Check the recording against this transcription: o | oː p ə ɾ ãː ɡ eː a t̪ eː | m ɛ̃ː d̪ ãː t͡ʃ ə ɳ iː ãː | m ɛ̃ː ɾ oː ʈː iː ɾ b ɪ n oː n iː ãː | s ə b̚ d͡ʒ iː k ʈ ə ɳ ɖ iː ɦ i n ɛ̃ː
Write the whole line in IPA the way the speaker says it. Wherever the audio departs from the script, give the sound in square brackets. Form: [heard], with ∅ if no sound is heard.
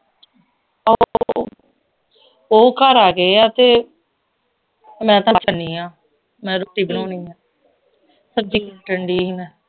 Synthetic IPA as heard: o | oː [k] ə ɾ [aː] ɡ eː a t̪ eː | m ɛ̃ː [t̪] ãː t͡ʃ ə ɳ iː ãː | m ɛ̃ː ɾ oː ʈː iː [∅] b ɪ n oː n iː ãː | s ə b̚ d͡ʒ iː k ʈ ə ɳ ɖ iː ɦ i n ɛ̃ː

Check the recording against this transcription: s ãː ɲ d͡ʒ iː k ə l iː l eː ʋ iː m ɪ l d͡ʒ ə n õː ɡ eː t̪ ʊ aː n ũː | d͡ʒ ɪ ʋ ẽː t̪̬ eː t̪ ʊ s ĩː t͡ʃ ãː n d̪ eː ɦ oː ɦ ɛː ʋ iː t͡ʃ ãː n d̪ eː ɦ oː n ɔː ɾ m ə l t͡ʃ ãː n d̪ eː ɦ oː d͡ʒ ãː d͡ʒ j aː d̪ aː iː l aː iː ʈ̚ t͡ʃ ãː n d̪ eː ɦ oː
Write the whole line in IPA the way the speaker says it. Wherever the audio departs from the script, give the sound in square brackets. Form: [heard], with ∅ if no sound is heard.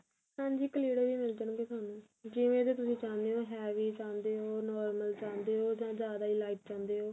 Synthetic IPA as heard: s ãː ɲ d͡ʒ iː k ə l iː [ɽ] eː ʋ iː m ɪ l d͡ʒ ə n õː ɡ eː t̪ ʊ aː n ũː | d͡ʒ ɪ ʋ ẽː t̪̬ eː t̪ ʊ s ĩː t͡ʃ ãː n d̪ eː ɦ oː ɦ ɛː ʋ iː t͡ʃ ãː n d̪ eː ɦ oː n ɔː ɾ m ə l t͡ʃ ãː n d̪ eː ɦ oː d͡ʒ ãː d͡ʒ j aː d̪ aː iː l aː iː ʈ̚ t͡ʃ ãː n d̪ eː ɦ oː

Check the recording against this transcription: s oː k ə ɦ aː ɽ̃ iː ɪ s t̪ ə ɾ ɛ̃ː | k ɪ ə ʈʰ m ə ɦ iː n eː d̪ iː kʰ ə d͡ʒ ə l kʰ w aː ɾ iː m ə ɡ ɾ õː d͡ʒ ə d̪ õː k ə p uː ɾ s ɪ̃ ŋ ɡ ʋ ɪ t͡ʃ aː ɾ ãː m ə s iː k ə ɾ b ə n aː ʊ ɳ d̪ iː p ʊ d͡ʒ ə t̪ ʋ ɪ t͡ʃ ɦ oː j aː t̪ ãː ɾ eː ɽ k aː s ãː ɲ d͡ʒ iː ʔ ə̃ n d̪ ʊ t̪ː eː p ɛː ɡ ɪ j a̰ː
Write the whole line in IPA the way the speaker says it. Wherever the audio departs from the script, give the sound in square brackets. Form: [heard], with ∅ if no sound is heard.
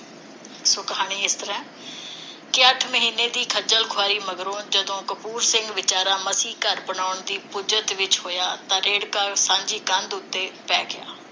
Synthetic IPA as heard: s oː k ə ɦ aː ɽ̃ iː ɪ s t̪ ə ɾ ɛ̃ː | k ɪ ə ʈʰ m ə ɦ iː n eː d̪ iː kʰ ə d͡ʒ ə l kʰ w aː ɾ iː m ə ɡ ɾ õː d͡ʒ ə d̪ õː k ə p uː ɾ s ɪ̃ ŋ ɡ ʋ ɪ t͡ʃ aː ɾ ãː m ə s iː k ə ɾ b ə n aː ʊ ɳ d̪ iː p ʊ d͡ʒ ə t̪ ʋ ɪ t͡ʃ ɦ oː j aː t̪ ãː ɾ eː ɽ k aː s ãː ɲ d͡ʒ iː [k] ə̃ n d̪ ʊ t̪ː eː p ɛː ɡ ɪ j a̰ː

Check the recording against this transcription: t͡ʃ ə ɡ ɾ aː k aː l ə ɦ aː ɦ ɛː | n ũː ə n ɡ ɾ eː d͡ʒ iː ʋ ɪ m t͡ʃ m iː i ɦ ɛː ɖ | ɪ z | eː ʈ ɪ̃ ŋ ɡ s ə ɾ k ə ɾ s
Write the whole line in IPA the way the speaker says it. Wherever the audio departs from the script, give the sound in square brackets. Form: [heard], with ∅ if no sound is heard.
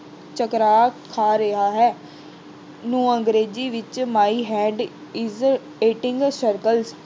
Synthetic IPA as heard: t͡ʃ ə [k] ɾ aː [kʰ] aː [ɾ] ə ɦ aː ɦ ɛː | n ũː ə [ŋ] ɡ ɾ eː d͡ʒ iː ʋ ɪ [∅] t͡ʃ m [aː] i ɦ ɛː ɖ | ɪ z | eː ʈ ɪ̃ ŋ ɡ s ə ɾ k ə [l] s

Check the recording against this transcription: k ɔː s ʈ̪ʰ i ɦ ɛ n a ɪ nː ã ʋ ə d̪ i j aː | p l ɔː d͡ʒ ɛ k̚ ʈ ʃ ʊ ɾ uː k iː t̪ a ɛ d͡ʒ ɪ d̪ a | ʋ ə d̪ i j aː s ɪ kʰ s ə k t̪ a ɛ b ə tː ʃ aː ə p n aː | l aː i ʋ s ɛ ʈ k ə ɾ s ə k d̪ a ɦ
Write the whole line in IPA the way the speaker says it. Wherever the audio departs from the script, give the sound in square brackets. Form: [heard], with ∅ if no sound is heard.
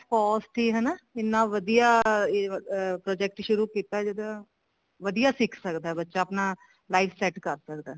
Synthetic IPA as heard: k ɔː s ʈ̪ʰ i ɦ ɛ n a ɪ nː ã ʋ ə d̪ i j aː | p [ɾ] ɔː d͡ʒ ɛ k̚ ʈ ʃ ʊ ɾ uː k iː t̪ a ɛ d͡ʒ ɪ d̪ a | ʋ ə d̪ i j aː s ɪ kʰ s ə k [d̪] a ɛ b ə tː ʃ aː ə p n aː | l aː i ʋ s ɛ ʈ k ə ɾ s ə k d̪ a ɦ

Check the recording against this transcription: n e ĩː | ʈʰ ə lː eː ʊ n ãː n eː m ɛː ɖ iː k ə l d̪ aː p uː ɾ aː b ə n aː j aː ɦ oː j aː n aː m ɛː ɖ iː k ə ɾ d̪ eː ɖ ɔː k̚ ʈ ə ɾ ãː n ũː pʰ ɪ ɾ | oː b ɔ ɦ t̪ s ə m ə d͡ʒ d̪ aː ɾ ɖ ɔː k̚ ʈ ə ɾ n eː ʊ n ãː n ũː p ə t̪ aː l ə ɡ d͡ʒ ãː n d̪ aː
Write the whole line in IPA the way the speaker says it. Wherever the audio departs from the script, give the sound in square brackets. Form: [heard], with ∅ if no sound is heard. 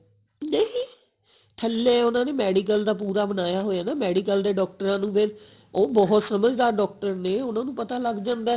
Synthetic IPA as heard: n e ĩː | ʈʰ ə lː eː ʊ n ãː n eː m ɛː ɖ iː k ə l d̪ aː p uː ɾ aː b ə n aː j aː ɦ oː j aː n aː m ɛː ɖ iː k ə [l] d̪ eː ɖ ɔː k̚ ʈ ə ɾ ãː n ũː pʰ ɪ ɾ | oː b ɔ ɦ t̪ s ə m ə d͡ʒ d̪ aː ɾ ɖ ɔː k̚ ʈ ə ɾ n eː ʊ n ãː n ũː p ə t̪ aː l ə ɡ d͡ʒ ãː n d̪ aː

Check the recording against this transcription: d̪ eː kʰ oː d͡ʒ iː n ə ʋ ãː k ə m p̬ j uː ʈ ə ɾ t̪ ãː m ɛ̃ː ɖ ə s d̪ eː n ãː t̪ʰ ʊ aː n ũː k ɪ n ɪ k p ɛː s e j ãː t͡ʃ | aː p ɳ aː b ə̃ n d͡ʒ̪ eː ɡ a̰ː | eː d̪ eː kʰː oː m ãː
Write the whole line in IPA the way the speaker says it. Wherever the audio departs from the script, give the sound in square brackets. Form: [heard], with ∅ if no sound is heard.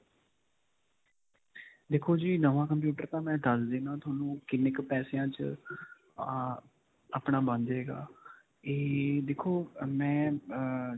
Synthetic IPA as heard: d̪ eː kʰ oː d͡ʒ iː n ə ʋ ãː k ə m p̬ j uː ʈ ə ɾ t̪ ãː m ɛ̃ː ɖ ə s d̪ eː n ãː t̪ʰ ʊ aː n ũː k ɪ n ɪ k p ɛː s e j ãː t͡ʃ | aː p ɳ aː b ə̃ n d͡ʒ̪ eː ɡ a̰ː | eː d̪ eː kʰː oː m [ɛ̃ː]

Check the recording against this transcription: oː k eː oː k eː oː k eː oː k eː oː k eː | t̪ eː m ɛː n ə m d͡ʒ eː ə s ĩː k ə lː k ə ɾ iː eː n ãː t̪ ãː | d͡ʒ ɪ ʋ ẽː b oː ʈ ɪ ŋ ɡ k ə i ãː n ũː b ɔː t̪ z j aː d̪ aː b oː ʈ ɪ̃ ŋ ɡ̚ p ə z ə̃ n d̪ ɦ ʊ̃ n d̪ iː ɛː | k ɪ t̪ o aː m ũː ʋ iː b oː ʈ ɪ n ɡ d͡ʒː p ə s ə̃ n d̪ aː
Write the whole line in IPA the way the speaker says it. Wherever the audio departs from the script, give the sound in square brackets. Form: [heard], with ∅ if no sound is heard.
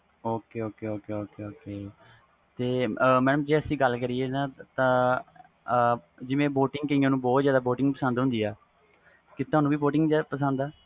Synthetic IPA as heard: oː k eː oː k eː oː k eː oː k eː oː k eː | t̪ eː m ɛː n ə m d͡ʒ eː ə s ĩː [ɡ] ə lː k ə ɾ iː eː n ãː t̪ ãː | d͡ʒ ɪ ʋ ẽː b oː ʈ ɪ ŋ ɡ k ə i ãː n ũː b ɔː t̪ z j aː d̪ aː b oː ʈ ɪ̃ ŋ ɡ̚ p ə [s] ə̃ n d̪ ɦ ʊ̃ n d̪ iː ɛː | k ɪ t̪ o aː [n] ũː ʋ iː b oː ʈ ɪ [ŋ] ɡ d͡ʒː p ə s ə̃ n d̪ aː

